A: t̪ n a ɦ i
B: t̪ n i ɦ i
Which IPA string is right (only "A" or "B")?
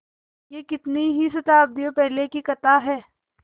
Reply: B